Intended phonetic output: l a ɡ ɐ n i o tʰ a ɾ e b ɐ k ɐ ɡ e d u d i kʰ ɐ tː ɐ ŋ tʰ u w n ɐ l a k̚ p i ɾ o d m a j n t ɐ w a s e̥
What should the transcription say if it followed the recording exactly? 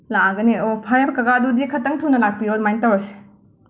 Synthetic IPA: l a ɡ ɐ n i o pʰ a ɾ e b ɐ k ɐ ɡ a d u d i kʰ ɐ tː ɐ ŋ tʰ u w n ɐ l a k̚ p i ɾ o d m a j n t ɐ w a s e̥